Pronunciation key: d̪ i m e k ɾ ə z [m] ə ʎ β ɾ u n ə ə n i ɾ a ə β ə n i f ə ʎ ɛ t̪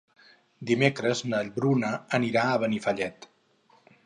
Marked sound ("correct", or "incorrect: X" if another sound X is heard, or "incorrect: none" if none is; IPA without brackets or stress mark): incorrect: n